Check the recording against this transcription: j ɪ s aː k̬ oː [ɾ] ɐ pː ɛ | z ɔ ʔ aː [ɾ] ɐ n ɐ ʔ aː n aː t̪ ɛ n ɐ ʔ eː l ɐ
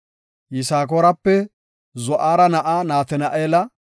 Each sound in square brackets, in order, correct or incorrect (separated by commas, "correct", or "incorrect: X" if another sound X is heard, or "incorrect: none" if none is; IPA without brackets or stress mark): correct, correct